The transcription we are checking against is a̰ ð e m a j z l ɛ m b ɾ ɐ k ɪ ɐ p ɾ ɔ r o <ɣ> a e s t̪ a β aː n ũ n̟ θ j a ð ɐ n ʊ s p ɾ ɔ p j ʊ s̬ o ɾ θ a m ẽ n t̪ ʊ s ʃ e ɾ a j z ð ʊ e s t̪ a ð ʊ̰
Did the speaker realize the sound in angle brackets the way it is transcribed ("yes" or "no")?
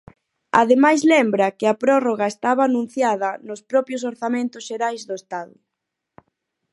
yes